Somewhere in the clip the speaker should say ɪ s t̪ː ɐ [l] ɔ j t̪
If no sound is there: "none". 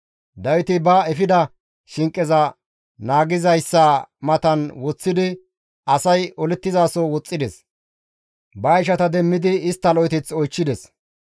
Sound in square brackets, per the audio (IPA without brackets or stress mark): l